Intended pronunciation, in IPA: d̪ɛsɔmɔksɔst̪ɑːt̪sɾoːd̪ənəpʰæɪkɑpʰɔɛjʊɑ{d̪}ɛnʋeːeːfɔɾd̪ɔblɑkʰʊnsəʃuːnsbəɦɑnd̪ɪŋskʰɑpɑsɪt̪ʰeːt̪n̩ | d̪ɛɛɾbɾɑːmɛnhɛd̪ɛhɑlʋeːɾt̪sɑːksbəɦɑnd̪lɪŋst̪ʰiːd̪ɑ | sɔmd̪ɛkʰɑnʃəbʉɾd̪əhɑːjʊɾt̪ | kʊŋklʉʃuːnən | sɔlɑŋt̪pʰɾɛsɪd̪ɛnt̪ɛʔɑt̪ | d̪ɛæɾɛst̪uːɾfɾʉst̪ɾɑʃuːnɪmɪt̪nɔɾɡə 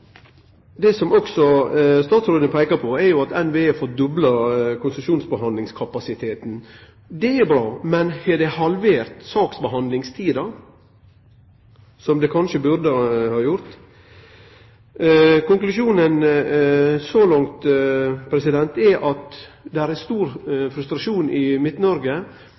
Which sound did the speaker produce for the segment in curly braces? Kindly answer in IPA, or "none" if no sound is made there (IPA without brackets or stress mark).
t̪